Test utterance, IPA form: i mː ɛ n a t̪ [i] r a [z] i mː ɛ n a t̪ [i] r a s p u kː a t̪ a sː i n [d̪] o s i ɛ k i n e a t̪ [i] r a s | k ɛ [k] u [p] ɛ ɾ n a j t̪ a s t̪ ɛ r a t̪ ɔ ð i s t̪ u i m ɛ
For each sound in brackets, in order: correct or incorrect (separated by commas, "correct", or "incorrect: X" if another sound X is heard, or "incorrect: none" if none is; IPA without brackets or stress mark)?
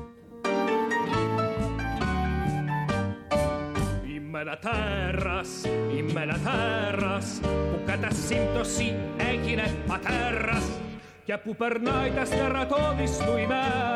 incorrect: ɛ, incorrect: s, incorrect: ɛ, incorrect: t̪, incorrect: ɛ, incorrect: p, correct